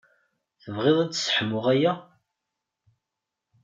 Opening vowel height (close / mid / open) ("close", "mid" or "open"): mid